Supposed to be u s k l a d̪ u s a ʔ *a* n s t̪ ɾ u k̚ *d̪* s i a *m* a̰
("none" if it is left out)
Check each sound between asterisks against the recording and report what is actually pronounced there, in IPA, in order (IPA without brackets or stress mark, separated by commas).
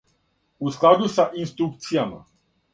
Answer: i, t̪, m